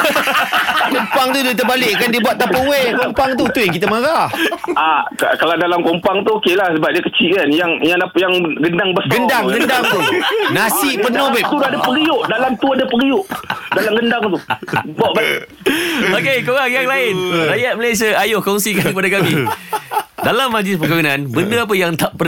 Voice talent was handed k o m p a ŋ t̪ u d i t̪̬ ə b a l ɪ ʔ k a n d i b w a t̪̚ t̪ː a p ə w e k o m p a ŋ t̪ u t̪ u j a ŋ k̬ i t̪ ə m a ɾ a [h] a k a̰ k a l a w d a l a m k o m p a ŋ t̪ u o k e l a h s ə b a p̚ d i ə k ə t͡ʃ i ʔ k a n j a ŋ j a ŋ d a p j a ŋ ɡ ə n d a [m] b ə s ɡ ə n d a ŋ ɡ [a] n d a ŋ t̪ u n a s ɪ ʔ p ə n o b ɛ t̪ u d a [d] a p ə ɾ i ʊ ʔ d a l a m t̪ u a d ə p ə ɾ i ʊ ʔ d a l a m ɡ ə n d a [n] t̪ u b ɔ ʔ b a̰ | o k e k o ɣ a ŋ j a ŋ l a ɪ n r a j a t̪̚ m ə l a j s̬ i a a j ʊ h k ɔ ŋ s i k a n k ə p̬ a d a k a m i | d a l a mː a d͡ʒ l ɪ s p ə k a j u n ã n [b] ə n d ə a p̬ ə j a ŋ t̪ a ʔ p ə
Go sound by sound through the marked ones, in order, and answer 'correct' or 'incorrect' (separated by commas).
correct, incorrect, incorrect, correct, incorrect, correct